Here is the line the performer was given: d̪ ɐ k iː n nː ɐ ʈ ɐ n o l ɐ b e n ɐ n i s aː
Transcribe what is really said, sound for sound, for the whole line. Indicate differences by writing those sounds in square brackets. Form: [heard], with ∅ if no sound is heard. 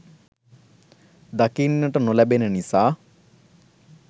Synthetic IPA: d̪ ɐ k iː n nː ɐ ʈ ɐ n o l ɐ b e n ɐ n i s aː